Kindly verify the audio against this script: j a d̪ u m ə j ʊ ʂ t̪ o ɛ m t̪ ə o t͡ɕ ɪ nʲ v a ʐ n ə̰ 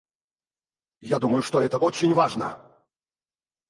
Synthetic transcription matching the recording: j a d̪ u m ə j ʊ ʂ t̪ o ɛ t̪ ə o t͡ɕ ɪ nʲ v a ʐ n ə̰